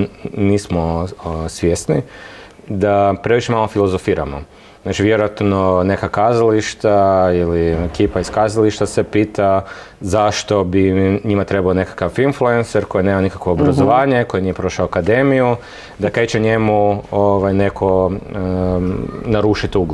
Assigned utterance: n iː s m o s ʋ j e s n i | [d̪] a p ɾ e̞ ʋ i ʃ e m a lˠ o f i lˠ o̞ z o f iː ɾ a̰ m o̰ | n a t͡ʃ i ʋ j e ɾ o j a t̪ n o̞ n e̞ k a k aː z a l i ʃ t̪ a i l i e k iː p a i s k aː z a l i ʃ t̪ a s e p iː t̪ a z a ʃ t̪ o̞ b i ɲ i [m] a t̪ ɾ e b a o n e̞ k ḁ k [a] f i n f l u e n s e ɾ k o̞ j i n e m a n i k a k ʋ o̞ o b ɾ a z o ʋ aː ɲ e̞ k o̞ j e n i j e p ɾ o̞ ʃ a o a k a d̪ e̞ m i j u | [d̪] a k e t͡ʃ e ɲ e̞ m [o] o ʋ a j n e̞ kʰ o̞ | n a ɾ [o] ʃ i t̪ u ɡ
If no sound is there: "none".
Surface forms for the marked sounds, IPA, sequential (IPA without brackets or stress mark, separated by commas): d̪, m, a, d̪, u, u